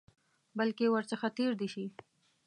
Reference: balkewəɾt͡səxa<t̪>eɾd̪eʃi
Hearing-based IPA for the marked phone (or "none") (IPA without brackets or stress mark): t̪